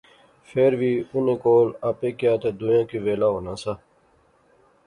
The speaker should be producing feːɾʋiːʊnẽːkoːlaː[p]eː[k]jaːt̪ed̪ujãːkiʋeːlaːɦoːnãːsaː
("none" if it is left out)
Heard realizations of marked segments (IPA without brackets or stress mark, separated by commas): p, k